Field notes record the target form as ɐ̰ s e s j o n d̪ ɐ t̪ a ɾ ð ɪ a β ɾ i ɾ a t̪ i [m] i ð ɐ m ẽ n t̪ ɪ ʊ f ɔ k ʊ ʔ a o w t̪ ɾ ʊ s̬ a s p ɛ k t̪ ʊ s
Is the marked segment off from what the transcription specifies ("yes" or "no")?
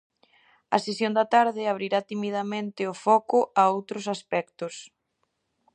no